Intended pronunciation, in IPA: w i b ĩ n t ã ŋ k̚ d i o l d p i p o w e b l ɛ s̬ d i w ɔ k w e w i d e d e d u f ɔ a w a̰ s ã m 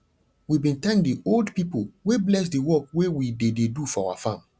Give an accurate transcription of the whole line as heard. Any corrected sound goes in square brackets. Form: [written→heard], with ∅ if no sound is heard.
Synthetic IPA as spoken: w i b ĩ n t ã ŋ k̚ d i o l d p i p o w e b l ɛ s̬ d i w ɔ k w e w i d e d e d u f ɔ a w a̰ [s→f] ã m

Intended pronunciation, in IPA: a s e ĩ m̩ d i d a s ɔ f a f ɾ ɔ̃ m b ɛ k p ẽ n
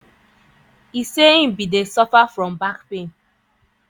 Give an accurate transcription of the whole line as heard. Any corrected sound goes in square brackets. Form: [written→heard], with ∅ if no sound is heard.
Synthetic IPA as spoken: [a→i] s e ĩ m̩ [d→b] i d [a→e] s ɔ f a f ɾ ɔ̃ m b [ɛ→a] k p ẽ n

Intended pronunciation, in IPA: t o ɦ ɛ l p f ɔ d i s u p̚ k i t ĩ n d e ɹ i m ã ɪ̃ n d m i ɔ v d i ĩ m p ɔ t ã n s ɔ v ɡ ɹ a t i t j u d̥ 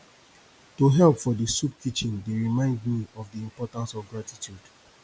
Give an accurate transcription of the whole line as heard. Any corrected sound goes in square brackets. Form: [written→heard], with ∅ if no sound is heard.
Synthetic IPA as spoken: t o ɦ ɛ l p f ɔ d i s u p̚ k i [t→t͡ʃ] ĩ n d e ɹ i m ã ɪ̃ n d m i ɔ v d i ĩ m p ɔ t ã n s ɔ v ɡ ɹ a t i t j u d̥

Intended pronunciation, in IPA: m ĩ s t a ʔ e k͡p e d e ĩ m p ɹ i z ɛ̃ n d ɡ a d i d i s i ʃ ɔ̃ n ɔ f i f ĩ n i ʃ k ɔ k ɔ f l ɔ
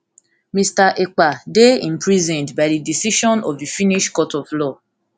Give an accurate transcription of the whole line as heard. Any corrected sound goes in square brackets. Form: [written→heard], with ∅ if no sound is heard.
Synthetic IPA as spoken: m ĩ s t a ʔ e k͡p [e→a] d e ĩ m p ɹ i z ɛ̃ n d [ɡ→b] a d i d i s i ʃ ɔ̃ n ɔ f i f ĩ n i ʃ k ɔ [k→t] ɔ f l ɔ

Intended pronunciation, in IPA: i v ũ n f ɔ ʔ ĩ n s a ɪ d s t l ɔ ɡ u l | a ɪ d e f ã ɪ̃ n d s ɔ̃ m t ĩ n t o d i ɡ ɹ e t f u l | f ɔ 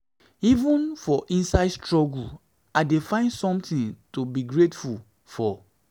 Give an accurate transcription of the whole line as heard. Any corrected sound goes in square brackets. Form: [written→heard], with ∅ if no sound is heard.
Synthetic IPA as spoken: i v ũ n f ɔ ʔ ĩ n s a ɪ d s t [l→ɹ] ɔ ɡ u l | a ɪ d e f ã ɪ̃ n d s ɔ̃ m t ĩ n t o [d→b] i ɡ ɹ e t f u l | f ɔ

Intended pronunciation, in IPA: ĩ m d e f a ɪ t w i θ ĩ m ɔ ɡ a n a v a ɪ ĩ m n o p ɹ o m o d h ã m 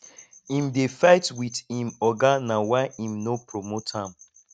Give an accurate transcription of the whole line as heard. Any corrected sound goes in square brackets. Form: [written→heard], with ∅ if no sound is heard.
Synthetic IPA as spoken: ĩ m d e f a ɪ t w i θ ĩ m ɔ ɡ a n a [v→w] a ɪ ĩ m n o p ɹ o m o [d→t] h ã m

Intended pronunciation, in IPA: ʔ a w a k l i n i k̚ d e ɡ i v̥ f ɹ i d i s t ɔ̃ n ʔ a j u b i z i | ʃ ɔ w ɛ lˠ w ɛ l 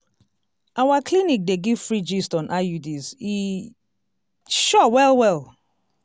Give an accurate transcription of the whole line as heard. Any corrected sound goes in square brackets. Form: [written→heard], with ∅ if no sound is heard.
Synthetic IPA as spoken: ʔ a w a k l i n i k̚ d e ɡ i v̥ f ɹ i [d→d͡ʒ] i s t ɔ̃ n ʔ a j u [b→d] i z i | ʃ ɔ w ɛ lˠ w ɛ l

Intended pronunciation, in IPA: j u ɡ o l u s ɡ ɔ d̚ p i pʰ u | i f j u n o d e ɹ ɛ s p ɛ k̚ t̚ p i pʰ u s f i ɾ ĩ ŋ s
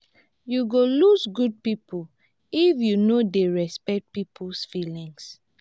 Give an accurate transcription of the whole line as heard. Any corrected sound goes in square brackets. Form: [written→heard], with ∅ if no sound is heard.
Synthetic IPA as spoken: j u ɡ o l u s ɡ [ɔ→u] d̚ p i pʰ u | i f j u n o d e ɹ ɛ s p ɛ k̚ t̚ p i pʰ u s f i [ɾ→l] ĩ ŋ s

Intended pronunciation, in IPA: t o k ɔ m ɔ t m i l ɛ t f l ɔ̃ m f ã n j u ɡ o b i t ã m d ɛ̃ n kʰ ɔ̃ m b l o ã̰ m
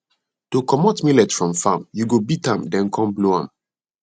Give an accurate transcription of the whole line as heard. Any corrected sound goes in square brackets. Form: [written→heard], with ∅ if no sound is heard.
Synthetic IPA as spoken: t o k ɔ m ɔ t m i l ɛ t f [l→ɹ] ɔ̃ m f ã [n→m] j u ɡ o b i t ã m d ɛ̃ n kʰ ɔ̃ m b l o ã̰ m

